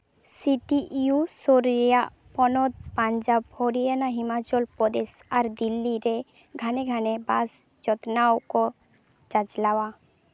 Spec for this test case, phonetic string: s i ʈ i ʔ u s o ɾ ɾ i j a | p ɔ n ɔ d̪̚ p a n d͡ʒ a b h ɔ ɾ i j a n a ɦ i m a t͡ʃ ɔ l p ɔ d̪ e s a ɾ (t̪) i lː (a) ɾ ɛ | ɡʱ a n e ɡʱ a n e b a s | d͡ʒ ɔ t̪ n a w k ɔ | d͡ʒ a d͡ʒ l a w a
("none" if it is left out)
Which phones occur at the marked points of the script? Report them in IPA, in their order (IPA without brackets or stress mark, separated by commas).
d̪, i